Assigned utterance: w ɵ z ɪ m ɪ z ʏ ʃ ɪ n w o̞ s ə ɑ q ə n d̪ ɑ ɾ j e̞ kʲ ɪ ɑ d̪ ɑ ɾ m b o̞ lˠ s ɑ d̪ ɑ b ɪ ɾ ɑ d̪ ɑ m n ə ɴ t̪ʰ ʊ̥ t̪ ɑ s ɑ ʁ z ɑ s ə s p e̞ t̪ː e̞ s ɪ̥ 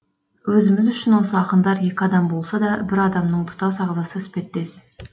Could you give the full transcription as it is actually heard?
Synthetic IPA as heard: w ɵ z ɪ m ɪ z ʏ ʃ ɪ n w o̞ s ə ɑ q ə n d̪ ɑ ɾ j e̞ kʲ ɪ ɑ d̪ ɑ m b o̞ lˠ s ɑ d̪ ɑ b ɪ ɾ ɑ d̪ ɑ m n ə ɴ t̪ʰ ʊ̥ t̪ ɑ s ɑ ʁ z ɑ s ə s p e̞ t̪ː e̞ s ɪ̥